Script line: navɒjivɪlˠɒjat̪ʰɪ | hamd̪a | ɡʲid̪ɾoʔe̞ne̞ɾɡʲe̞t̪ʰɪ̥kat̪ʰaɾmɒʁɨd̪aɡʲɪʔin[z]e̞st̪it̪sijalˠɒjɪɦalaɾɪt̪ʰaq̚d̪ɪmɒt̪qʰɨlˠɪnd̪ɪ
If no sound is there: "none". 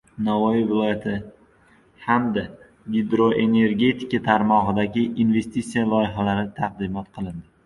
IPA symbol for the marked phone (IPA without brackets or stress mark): v